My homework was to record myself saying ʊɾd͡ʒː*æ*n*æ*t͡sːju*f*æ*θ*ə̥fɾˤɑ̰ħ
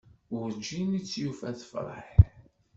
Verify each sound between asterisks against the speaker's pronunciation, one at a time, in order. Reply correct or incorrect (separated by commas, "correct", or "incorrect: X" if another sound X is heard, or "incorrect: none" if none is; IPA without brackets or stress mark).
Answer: incorrect: i, incorrect: i, correct, correct